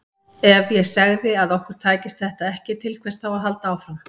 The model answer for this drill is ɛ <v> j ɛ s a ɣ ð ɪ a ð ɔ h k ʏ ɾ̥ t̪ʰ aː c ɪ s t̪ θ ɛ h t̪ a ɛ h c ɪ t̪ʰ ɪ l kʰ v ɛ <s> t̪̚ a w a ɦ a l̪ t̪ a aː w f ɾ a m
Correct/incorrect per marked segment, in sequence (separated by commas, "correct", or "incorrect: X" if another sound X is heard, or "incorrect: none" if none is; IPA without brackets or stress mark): correct, correct